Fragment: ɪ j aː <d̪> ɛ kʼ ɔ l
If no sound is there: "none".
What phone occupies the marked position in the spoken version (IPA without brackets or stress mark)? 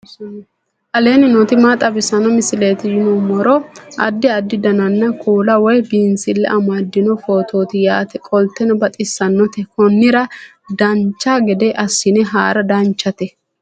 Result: t̪